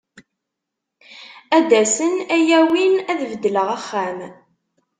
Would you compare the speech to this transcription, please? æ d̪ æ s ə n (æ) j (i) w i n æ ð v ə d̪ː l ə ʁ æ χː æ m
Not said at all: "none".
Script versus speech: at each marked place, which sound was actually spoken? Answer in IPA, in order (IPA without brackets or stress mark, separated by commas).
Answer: æ, æ